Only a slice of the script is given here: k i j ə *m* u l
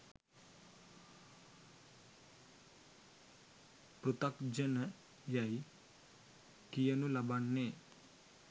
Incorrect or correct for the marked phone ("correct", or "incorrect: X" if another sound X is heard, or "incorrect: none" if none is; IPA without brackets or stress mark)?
incorrect: n